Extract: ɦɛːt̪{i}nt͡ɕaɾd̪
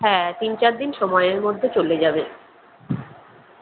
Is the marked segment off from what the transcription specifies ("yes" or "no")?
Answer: no